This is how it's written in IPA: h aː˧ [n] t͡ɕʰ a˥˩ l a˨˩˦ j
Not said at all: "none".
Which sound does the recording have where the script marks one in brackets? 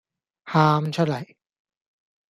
m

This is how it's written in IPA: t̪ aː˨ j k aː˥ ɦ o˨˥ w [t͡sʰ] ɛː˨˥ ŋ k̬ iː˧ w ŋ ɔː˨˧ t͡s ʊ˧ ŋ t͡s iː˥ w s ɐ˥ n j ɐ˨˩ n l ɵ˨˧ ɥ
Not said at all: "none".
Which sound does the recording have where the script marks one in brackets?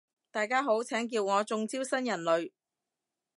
t͡sʰ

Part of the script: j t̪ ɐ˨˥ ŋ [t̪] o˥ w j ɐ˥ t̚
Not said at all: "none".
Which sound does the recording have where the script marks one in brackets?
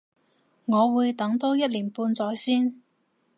t̪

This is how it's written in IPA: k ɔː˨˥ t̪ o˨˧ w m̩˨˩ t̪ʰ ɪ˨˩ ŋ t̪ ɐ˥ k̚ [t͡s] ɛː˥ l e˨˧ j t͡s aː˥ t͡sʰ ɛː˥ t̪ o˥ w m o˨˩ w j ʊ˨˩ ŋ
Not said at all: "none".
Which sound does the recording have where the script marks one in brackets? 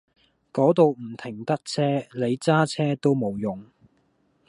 t͡sʰ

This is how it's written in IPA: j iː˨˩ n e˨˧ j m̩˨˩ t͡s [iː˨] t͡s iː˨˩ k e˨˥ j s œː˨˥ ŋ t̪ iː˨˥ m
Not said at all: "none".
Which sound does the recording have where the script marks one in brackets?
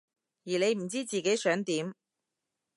iː˥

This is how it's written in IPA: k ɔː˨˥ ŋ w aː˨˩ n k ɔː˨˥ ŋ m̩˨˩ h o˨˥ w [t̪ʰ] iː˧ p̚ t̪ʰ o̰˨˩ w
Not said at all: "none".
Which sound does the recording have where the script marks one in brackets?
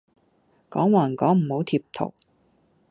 t̪ʰ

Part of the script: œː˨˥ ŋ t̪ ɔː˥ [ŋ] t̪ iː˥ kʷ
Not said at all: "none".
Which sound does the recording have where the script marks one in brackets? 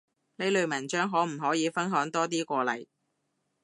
none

